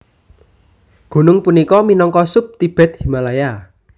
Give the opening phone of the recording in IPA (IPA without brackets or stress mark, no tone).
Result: ɡ̥